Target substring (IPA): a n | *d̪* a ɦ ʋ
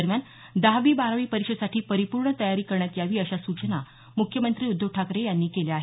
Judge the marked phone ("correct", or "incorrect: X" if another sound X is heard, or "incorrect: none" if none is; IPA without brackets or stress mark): correct